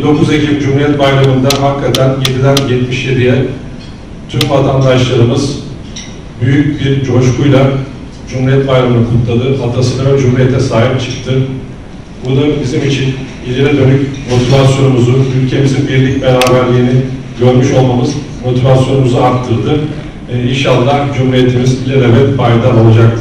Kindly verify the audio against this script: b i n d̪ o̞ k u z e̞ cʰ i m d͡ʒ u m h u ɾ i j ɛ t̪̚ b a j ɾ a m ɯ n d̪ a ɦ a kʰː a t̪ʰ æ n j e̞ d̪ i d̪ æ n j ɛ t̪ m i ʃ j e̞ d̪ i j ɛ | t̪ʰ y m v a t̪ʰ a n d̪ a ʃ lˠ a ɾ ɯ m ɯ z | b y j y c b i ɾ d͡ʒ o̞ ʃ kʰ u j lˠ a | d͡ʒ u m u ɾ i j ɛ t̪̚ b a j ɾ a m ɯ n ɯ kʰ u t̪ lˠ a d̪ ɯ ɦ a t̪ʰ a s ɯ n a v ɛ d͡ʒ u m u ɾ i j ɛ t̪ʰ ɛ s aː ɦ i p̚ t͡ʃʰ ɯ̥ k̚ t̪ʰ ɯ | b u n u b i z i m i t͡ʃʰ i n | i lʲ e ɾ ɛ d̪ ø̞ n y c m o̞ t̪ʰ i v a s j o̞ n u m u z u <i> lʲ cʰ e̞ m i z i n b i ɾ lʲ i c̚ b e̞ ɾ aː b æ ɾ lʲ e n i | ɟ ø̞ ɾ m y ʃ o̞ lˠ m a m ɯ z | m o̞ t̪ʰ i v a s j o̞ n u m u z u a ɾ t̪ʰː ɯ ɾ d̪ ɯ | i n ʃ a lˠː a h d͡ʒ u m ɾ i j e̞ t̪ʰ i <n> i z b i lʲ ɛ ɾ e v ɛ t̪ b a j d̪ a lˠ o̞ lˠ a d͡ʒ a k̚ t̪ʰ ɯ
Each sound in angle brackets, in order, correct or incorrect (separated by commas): incorrect, incorrect